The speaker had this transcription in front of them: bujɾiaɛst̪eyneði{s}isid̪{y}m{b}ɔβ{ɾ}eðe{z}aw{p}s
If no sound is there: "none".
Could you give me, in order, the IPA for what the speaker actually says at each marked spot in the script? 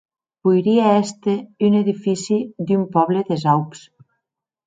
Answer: f, y, p, l, z, p

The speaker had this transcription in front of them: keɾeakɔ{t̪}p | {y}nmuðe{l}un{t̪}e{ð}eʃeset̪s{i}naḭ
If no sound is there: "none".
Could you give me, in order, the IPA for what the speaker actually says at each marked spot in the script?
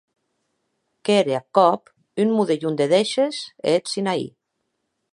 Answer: none, y, ʎ, d̪, ð, i

